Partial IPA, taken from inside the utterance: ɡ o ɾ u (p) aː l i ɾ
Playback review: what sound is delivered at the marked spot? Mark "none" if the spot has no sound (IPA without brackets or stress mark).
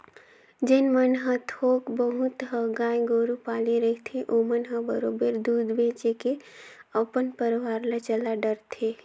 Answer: p